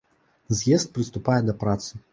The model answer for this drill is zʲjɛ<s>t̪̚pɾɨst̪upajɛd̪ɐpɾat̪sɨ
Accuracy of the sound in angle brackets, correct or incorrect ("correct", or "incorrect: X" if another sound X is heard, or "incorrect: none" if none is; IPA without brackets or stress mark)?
correct